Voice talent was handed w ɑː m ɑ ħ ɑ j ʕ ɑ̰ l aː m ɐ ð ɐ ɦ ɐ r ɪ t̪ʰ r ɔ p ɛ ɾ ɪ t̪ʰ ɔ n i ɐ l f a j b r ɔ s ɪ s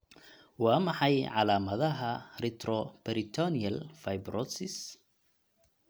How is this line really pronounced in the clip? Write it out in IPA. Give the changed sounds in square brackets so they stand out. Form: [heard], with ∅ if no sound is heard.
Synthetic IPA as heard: w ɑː m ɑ ħ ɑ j ʕ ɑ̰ l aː m ɐ ð ɐ ɦ ɐ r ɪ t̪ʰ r ɔ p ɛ ɾ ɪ t̪ʰ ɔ n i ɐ l f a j b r ɔ s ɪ s